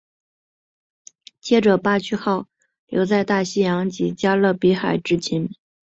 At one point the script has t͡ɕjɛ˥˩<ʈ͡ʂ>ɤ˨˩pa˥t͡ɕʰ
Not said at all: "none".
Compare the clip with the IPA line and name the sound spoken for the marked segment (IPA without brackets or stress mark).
ʈ͡ʂ